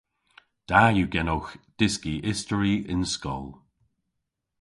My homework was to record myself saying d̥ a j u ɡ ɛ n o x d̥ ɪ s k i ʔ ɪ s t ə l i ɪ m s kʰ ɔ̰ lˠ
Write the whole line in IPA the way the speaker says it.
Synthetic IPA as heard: d̥ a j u ɡ ɛ n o x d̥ ɪ s k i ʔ ɪ s t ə ɹ i ɪ n s k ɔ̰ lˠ